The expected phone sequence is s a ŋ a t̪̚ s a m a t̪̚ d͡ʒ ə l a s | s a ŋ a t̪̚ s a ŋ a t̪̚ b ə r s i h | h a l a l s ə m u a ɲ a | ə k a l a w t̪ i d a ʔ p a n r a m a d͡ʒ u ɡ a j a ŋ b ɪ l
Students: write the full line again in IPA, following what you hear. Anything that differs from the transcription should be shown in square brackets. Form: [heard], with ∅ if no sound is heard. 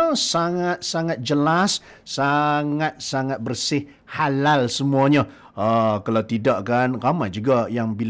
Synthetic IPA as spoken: s a ŋ a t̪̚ s a [ŋ] a t̪̚ d͡ʒ ə l a s | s a ŋ a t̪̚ s a ŋ a t̪̚ b ə r s [ɪ] h | h a l a l s ə m u a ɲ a | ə k a l a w t̪ i d a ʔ [k] a n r a m a d͡ʒ u ɡ a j a ŋ b [i] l